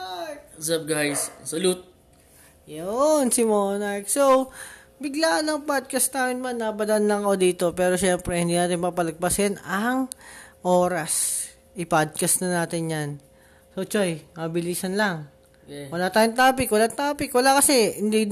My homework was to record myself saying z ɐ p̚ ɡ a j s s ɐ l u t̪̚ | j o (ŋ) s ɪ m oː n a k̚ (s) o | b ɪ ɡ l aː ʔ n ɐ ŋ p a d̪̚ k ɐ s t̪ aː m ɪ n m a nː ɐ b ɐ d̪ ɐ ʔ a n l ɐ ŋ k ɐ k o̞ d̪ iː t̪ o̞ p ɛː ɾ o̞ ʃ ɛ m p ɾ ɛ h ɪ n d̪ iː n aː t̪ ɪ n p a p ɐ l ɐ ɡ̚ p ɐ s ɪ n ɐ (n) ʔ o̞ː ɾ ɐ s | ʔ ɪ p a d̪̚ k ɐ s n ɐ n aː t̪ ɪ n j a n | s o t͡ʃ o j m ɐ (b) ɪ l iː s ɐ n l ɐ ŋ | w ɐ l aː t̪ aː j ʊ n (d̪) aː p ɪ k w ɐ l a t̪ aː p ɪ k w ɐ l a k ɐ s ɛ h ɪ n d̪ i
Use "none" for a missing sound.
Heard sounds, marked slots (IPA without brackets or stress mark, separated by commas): n, s, ŋ, b, t̪